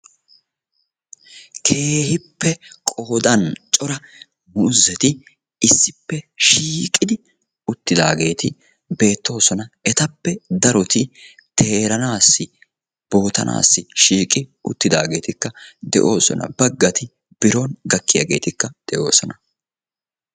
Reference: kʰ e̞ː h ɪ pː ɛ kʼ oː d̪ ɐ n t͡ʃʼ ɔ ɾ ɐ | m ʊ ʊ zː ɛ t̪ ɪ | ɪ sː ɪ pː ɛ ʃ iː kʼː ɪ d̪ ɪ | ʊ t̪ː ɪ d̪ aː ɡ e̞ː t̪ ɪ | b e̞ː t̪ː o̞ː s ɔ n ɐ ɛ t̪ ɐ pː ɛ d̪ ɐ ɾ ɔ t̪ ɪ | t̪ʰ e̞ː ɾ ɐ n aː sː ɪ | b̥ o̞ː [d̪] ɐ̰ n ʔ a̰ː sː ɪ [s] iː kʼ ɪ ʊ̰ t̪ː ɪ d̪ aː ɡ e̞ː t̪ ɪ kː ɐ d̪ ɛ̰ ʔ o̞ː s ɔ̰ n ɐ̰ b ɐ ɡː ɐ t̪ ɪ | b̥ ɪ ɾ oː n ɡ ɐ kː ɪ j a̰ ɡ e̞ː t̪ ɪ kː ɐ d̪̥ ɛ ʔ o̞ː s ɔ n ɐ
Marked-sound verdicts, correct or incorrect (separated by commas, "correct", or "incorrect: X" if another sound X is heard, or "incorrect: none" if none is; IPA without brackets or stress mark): incorrect: t̪, incorrect: ʃ